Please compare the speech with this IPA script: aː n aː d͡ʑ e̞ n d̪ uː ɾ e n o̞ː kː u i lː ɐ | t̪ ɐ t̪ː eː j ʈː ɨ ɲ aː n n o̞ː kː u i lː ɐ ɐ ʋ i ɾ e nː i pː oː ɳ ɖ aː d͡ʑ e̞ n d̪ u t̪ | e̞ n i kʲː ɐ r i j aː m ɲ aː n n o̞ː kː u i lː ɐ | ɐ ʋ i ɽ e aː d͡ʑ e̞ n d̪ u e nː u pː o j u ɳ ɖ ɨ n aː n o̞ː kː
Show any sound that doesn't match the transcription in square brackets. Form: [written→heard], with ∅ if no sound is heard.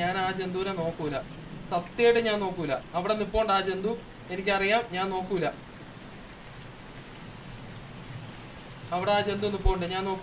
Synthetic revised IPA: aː n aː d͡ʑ e̞ n d̪ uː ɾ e n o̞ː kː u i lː ɐ | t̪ ɐ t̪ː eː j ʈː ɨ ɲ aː n n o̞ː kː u i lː ɐ ɐ ʋ i [ɾ→ɽ] e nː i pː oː ɳ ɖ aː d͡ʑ e̞ n d̪ u [t̪→∅] | e̞ n i kʲː ɐ r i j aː m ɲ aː n n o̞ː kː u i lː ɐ | ɐ ʋ i ɽ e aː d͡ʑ e̞ n d̪ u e nː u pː o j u ɳ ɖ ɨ [n→ɲ] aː n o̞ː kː

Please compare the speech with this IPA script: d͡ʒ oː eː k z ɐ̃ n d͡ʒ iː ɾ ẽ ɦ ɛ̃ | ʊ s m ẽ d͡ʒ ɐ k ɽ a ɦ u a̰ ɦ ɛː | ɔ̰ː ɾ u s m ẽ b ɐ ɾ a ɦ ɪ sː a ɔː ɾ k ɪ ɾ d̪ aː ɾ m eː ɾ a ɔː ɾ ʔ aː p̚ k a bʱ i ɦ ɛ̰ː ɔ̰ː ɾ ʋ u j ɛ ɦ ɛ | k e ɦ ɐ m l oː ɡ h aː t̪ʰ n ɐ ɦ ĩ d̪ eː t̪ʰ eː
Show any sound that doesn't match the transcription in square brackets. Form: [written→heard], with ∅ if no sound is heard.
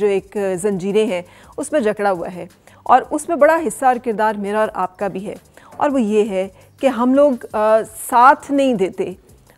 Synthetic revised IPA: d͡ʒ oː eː k z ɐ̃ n d͡ʒ iː ɾ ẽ ɦ ɛ̃ | ʊ s m ẽ d͡ʒ ɐ k ɽ a ɦ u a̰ ɦ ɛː | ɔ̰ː ɾ [u→ʊ] s m ẽ b ɐ [ɾ→ɽ] a ɦ ɪ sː a ɔː ɾ k ɪ ɾ d̪ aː ɾ m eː ɾ a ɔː ɾ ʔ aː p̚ k a bʱ i ɦ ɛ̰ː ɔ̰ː ɾ ʋ [u→o] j [ɛ→e] ɦ ɛ | k e ɦ ɐ m l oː ɡ [h→s] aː t̪ʰ n ɐ ɦ ĩ d̪ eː [t̪ʰ→t̪] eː

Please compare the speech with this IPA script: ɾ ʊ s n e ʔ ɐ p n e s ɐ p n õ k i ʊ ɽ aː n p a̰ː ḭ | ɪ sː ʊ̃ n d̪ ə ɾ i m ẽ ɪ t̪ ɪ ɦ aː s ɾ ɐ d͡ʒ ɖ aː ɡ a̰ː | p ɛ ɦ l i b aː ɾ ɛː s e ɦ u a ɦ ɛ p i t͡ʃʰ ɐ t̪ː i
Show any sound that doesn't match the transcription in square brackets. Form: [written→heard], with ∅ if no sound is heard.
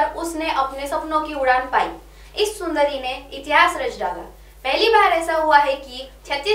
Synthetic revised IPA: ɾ ʊ s n e ʔ ɐ p n e s ɐ p n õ k i ʊ ɽ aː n p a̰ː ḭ | ɪ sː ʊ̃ n d̪ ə ɾ i m ẽ ɪ t̪ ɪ ɦ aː s ɾ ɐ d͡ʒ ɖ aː ɡ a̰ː | p ɛ ɦ l i b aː ɾ ɛː s [e→a] ɦ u a ɦ ɛ [p→k] i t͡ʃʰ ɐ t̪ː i

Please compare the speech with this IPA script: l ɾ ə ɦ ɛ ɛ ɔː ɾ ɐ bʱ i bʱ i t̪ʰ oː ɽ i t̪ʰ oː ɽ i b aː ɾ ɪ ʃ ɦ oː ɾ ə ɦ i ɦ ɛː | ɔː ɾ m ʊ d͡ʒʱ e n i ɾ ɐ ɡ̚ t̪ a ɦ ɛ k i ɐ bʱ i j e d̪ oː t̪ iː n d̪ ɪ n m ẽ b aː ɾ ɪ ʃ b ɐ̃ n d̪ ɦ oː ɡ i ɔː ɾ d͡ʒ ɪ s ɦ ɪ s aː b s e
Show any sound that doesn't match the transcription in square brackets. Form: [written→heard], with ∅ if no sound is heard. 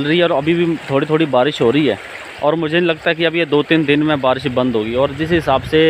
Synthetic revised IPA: l ɾ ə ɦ [ɛ→i] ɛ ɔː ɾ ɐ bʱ i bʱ i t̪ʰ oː ɽ i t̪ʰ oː ɽ i b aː ɾ ɪ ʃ ɦ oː ɾ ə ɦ i ɦ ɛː | ɔː ɾ m ʊ d͡ʒʱ e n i [ɾ→l] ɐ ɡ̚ t̪ a ɦ ɛ k i ɐ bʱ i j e d̪ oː t̪ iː n d̪ ɪ n m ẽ b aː ɾ ɪ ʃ b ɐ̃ n d̪ ɦ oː ɡ i ɔː ɾ d͡ʒ ɪ s ɦ ɪ s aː b s e

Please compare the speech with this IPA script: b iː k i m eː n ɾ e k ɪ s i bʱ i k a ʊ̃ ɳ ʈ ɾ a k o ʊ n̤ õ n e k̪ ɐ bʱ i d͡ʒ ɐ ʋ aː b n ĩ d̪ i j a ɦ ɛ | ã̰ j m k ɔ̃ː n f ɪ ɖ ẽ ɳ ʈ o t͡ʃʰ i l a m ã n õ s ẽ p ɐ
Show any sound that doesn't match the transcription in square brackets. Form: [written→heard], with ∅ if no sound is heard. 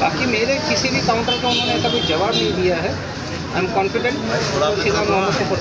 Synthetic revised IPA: b [iː→aː] k i m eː [n→∅] ɾ e k ɪ s i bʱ i k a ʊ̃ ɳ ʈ ɾ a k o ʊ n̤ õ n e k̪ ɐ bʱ i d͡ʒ ɐ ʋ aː b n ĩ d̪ i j a ɦ ɛ | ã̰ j m k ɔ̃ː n f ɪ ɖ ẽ ɳ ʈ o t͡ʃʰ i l a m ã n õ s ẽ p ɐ

